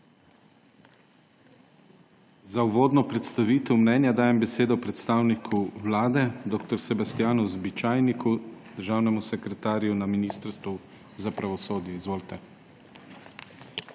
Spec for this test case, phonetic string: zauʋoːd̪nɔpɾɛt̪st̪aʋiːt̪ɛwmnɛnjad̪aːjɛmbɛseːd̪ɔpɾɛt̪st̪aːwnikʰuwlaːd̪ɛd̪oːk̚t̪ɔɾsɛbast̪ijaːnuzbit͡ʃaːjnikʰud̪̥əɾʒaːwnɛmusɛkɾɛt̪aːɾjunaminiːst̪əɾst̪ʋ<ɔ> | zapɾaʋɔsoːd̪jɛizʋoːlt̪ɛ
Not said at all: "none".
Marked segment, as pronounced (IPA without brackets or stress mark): u